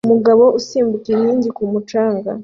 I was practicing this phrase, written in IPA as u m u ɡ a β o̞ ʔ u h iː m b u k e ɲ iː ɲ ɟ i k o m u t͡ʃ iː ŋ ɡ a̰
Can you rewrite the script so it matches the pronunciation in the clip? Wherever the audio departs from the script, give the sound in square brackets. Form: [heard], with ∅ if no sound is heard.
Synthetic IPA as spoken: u m u ɡ a β o̞ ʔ u [s] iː m b u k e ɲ iː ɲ ɟ i k [u] m u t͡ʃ [aː] ŋ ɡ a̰